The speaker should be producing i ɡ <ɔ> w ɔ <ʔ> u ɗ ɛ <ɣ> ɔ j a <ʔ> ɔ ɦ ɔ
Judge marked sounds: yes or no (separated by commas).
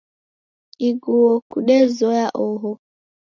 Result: no, no, no, yes